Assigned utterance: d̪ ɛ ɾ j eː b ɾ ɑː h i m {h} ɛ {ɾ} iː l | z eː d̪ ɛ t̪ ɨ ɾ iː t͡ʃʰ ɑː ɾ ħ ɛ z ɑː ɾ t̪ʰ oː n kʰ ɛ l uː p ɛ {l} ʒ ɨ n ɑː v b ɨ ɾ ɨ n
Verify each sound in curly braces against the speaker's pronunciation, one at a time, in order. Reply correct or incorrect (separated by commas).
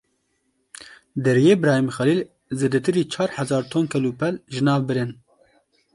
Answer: incorrect, incorrect, correct